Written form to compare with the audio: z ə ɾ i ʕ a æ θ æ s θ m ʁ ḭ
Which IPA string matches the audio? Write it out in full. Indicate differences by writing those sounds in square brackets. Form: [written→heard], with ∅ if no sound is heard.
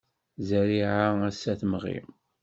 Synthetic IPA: z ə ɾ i ʕ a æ [θ→s] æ [s→∅] θ m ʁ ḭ